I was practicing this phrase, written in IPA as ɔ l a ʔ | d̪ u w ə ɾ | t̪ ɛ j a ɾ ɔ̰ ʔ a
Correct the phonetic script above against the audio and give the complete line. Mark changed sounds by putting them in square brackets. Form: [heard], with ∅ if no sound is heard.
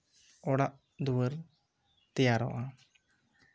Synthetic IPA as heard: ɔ [ɽ] a ʔ | d̪ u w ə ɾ | t̪ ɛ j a ɾ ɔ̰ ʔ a